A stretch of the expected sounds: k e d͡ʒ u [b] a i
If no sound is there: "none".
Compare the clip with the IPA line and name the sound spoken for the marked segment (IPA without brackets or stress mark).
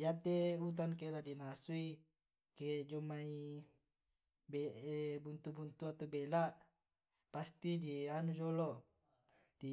m